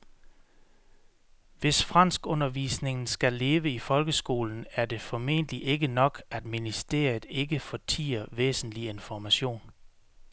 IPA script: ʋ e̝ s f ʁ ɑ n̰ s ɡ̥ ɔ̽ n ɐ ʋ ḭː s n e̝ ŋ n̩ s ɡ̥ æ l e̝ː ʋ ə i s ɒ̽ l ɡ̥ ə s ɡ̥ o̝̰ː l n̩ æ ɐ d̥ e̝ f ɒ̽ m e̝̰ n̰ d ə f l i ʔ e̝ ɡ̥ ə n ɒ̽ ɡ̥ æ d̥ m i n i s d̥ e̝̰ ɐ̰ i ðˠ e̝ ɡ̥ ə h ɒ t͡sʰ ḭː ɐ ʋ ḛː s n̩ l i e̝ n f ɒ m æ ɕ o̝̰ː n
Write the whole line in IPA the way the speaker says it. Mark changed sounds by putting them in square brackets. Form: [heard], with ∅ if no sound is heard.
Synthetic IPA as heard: ʋ e̝ s f ʁ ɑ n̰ s ɡ̥ ɔ̽ n ɐ ʋ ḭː s n e̝ ŋ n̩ s ɡ̥ æ l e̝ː ʋ ə i [f] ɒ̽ l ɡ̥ ə s ɡ̥ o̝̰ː l n̩ æ ɐ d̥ e̝ f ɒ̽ m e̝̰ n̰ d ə [∅] l i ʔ e̝ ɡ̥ ə n ɒ̽ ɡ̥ æ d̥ m i n i s d̥ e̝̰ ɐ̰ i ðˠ e̝ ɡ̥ ə [f] ɒ t͡sʰ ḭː ɐ ʋ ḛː s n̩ l i e̝ n f ɒ m æ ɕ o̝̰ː n